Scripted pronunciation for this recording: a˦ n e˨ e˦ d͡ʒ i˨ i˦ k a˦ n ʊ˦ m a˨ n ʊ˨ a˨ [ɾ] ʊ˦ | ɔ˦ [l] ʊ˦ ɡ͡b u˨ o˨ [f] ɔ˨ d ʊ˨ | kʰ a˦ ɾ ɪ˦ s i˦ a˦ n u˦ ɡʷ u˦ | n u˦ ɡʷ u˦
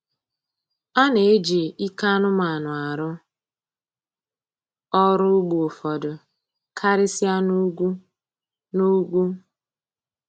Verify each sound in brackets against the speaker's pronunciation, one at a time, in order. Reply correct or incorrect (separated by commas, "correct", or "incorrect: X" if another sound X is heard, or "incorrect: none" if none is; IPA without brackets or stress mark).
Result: correct, incorrect: ɾ, correct